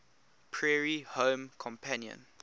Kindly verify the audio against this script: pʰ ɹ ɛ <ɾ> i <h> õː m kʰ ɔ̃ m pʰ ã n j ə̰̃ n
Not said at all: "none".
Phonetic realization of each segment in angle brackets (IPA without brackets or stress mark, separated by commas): ɹ, h